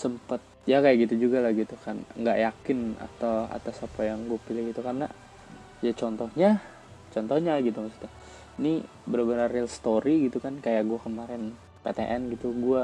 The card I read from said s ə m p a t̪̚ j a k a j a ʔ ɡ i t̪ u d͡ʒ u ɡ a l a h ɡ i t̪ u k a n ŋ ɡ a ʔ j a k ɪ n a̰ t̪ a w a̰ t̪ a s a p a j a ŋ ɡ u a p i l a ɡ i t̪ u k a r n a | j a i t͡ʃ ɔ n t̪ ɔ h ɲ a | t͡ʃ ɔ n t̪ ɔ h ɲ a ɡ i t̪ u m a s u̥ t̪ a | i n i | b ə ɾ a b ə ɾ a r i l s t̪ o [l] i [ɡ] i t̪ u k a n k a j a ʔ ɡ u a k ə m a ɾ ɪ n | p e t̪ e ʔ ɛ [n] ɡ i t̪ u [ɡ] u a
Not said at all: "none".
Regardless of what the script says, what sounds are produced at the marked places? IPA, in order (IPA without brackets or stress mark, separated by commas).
ɾ, ɡ, n, ɡ